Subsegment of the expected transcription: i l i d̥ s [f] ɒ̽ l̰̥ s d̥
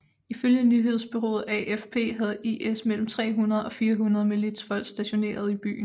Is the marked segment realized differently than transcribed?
no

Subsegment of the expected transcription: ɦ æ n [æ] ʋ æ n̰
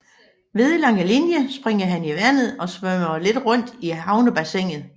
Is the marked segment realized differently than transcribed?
yes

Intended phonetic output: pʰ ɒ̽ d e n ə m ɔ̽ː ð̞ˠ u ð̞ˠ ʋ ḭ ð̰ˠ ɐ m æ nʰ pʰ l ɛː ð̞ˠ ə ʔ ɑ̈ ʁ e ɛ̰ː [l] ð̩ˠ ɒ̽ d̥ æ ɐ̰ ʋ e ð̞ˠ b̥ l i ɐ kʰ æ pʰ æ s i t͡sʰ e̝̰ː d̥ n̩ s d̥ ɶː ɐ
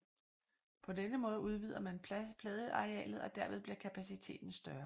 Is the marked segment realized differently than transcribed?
no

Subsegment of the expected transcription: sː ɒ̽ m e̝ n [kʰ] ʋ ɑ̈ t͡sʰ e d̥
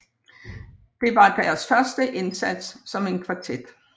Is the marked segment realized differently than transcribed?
no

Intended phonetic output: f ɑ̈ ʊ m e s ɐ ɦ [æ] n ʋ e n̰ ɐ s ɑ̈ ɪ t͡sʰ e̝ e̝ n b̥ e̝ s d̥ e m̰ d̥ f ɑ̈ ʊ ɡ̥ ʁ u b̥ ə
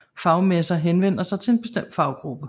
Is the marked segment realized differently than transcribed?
yes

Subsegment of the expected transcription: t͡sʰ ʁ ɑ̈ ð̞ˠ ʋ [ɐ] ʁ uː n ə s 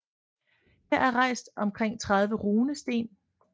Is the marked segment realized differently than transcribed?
yes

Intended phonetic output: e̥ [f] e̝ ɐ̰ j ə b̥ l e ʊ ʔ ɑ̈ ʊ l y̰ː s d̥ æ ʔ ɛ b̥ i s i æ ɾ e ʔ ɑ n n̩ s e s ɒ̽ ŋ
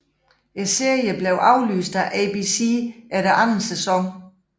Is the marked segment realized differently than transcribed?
yes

